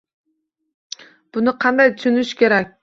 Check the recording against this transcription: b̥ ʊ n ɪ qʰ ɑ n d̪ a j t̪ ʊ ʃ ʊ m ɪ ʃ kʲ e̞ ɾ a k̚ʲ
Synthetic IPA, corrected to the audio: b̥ ʊ n ɪ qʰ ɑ n d̪ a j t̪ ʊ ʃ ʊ n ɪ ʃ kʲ e̞ ɾ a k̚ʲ